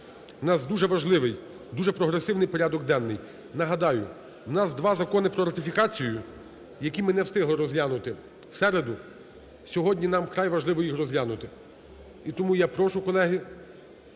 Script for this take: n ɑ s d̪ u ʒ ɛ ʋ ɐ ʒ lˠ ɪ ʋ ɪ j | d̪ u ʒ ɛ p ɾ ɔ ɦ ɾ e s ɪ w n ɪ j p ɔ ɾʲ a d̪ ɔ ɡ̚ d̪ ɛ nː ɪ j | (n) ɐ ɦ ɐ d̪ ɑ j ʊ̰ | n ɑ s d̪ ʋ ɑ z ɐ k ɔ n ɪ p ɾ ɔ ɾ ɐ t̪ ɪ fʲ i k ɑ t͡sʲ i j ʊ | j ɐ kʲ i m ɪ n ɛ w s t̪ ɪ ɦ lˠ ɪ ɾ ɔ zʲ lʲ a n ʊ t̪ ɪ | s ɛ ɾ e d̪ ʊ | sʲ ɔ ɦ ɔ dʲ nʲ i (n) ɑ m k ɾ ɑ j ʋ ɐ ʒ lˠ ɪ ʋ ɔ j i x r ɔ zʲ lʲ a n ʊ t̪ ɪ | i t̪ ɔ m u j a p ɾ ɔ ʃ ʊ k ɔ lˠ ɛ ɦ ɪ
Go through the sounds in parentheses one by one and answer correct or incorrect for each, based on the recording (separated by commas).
correct, correct